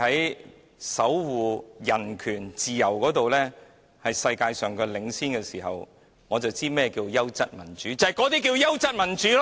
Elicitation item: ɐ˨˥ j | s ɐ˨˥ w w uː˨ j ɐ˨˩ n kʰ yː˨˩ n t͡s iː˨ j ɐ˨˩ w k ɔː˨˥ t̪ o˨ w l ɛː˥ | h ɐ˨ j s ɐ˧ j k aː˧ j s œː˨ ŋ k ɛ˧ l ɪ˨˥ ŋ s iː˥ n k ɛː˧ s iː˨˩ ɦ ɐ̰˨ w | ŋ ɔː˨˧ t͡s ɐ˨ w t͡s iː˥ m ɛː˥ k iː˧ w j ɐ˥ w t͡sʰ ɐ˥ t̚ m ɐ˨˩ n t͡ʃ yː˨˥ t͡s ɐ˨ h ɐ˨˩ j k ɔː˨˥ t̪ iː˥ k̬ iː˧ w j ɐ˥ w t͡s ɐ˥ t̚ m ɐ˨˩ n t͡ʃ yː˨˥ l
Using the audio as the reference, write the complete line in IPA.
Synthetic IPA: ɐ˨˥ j | s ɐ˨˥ w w uː˨ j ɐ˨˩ n kʰ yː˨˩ n t͡s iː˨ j ɐ˨˩ w k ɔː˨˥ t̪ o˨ w l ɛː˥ | h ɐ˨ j s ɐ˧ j k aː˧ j s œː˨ ŋ k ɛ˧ l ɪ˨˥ ŋ s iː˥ n k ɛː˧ s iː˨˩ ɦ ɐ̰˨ w | ŋ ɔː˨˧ t͡s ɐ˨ w t͡s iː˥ m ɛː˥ k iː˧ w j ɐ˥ w t͡s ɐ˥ t̚ m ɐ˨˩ n t͡ʃ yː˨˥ t͡s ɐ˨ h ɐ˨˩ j k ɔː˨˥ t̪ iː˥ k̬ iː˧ w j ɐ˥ w t͡s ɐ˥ t̚ m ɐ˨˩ n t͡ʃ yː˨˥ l